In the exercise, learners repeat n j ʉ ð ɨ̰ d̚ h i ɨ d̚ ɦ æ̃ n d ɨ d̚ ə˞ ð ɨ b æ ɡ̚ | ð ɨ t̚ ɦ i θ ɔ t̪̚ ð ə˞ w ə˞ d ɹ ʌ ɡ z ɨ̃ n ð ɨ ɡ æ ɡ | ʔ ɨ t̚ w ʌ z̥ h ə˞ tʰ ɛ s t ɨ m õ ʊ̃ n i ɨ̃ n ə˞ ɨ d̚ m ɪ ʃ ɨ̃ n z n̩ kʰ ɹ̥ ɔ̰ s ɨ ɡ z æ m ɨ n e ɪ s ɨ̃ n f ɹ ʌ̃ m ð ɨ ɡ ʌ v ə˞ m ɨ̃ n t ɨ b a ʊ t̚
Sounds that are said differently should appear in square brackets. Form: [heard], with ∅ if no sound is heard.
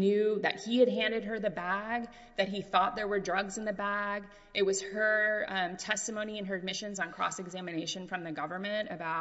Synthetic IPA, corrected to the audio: n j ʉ ð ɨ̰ [t̚] h i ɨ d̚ ɦ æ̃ n d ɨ d̚ ə˞ ð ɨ b æ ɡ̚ | ð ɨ t̚ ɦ i θ ɔ t̪̚ ð ə˞ w ə˞ d ɹ ʌ ɡ z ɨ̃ n ð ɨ [b] æ ɡ | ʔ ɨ t̚ w ʌ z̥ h ə˞ tʰ ɛ s t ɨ m õ ʊ̃ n i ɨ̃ n ə˞ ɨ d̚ m ɪ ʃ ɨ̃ n z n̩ kʰ ɹ̥ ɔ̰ s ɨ ɡ z æ m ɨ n e ɪ [ʃ] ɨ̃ n f ɹ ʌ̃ m ð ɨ ɡ ʌ v ə˞ m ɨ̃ n t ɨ b a ʊ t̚